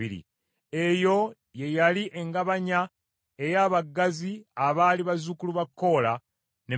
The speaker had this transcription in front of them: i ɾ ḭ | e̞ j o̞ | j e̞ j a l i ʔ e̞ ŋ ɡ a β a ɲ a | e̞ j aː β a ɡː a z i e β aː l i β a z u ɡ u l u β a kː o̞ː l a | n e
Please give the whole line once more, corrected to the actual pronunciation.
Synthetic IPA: i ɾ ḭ | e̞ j o̞ | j e̞ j a l i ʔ e̞ ŋ ɡ a β a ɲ a | e̞ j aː β a ɡː a z i a β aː l i β a z u k u l u β a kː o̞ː l a | n e